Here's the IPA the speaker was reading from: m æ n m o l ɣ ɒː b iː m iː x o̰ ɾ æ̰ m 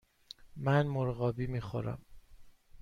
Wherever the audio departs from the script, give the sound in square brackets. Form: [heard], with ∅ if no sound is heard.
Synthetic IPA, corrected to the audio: m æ n m o [ɾ] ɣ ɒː b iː m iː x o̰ ɾ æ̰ m

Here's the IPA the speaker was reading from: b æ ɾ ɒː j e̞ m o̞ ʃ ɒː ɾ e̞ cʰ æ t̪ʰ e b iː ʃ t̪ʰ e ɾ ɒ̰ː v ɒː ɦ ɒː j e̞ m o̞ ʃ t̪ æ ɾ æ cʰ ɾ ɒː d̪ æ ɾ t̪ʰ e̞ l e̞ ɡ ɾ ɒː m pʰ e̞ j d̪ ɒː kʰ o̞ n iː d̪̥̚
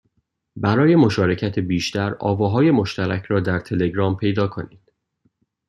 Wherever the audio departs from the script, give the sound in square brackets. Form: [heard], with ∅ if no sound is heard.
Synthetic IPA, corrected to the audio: b æ ɾ ɒː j e̞ m o̞ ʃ ɒː ɾ e̞ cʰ æ t̪ʰ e b iː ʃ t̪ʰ [æ] ɾ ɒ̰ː v ɒː ɦ ɒː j e̞ m o̞ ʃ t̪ æ ɾ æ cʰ ɾ ɒː d̪ æ ɾ t̪ʰ e̞ l e̞ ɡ ɾ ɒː m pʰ e̞ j d̪ ɒː kʰ o̞ n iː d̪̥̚

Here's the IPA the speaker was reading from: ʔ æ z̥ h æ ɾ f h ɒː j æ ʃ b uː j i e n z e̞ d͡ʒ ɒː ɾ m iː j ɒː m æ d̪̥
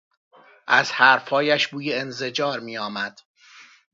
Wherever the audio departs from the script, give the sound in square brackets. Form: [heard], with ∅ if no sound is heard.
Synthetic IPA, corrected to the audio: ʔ æ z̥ h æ ɾ f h ɒː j æ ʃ b uː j [e] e n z e̞ d͡ʒ ɒː ɾ m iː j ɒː m æ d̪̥

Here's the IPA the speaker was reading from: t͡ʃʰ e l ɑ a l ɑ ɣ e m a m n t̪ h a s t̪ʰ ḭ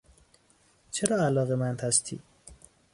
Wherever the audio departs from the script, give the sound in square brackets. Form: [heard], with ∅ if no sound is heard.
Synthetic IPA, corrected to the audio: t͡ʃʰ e [ɾ] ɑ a l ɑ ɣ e m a [∅] n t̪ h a s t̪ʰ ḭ

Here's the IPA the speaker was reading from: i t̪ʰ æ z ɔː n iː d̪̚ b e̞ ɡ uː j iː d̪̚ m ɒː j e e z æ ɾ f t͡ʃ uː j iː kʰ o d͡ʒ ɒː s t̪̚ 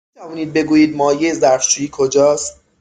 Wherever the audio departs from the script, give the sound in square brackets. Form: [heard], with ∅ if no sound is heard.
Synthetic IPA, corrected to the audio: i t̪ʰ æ [v] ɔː n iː d̪̚ b e̞ ɡ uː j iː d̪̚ m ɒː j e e z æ ɾ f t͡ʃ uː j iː kʰ o d͡ʒ ɒː s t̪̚

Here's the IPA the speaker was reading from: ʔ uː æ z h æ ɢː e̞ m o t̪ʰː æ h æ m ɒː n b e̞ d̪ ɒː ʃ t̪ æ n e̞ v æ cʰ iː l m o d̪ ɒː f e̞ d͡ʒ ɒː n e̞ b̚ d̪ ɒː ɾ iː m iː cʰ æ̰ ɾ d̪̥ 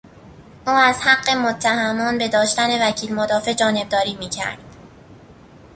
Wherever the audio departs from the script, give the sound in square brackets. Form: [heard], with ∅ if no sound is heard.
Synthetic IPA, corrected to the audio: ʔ uː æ z h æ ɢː e̞ m o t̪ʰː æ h æ m ɒː n b e̞ d̪ ɒː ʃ t̪ æ n e̞ v æ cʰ iː l m o d̪ ɒː f e̞ d͡ʒ ɒː n e̞ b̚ d̪ ɒː ɾ iː m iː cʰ æ̰ ɾ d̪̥

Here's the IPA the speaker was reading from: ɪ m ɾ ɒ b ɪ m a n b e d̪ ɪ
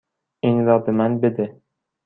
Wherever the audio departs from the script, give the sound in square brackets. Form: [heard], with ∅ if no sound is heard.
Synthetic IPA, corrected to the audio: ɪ [ŋ] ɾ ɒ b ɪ m a n b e d̪ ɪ

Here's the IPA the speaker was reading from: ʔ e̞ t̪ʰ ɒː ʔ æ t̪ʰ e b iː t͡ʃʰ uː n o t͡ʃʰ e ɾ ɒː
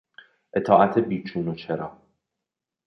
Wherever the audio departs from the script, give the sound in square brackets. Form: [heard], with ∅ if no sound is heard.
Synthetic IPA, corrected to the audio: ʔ e̞ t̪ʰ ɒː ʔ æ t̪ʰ e b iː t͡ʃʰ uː n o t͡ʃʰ e ɾ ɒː

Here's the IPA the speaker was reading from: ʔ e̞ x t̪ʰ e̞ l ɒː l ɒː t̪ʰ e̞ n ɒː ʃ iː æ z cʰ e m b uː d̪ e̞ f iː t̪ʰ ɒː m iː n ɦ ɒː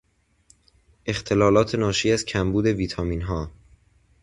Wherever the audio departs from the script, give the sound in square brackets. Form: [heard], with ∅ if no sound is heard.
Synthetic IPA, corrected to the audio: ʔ e̞ x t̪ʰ e̞ l ɒː l ɒː t̪ʰ e̞ n ɒː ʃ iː æ z cʰ [æ] m b uː d̪ e̞ [v] iː t̪ʰ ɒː m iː n ɦ ɒː

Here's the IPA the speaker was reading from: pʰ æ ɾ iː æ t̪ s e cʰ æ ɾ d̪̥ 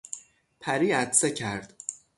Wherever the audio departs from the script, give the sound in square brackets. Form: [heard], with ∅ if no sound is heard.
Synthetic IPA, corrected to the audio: pʰ æ ɾ iː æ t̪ s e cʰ æ ɾ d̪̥

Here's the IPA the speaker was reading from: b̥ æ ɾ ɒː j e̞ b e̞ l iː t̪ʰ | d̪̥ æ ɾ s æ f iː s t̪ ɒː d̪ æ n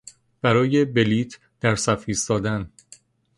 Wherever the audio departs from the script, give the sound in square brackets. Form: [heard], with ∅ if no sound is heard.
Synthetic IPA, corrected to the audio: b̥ æ ɾ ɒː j e̞ b e̞ l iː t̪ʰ | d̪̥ æ ɾ s æ f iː s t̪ ɒː d̪ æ n

